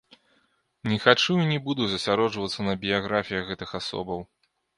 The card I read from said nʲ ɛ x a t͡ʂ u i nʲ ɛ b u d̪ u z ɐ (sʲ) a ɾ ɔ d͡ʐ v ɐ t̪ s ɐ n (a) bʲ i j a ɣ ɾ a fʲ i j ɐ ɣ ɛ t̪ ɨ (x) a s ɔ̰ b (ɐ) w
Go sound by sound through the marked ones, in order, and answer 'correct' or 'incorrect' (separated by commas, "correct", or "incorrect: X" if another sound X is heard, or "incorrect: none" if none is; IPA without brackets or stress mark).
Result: correct, incorrect: ɐ, correct, correct